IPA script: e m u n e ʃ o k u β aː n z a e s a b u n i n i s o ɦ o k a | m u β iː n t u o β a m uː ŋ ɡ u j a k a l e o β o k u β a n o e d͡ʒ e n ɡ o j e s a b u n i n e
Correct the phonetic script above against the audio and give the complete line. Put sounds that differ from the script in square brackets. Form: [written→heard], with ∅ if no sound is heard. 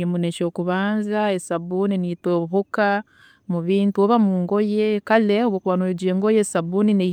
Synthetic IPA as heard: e m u n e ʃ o k u β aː n z a e s a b u n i n i [s→t] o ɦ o k a | m u β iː n t u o β a m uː ŋ ɡ [u→o] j [a→e] k a l e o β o k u β a n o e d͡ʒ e [n→ŋ] ɡ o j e s a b u n i n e